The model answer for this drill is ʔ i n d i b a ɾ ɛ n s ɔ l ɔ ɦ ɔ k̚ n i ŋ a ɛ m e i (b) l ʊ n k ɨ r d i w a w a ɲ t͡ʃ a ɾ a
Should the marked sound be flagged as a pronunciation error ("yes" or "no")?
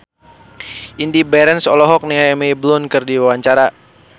no